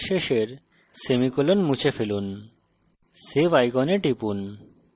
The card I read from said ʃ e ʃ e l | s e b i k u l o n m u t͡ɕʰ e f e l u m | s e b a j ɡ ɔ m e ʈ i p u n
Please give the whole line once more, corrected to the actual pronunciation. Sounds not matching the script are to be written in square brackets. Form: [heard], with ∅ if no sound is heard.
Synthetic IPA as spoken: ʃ e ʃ e [ɾ] | s e [m] i k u l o n m u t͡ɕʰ e f e l u [n] | s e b a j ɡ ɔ [n] e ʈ i p u n